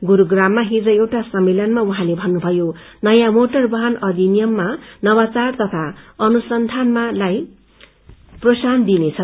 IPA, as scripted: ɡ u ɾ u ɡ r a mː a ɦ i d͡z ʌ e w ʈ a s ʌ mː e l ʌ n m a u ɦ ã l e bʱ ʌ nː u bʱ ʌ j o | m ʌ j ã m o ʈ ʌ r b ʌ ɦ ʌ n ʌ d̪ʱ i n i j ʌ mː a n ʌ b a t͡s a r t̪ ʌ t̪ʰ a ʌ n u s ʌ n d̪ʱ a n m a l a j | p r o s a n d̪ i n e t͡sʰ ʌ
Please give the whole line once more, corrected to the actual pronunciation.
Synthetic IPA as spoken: ɡ u ɾ u ɡ r a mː a ɦ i d͡z ʌ e w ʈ a s ʌ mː e l ʌ n m a u ɦ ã l e bʱ ʌ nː u bʱ ʌ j o | n ʌ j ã m o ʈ ʌ r b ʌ ɦ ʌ n ʌ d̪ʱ i n i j ʌ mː a n ʌ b a t͡s a r t̪ ʌ t̪ʰ a ʌ n u s ʌ n d̪ʱ a n m a l a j | p r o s a n d̪ i n e t͡sʰ ʌ